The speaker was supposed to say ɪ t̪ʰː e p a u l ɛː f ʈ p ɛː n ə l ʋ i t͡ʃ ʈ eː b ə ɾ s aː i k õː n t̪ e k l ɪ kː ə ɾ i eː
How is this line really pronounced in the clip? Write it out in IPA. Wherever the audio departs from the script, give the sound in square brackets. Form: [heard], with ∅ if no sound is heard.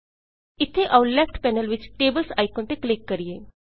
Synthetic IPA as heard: ɪ t̪ʰː e [ʔ] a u l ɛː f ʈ p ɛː n ə l ʋ [ɪ] t͡ʃ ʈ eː b ə [l] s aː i k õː n t̪ e k l ɪ kː ə ɾ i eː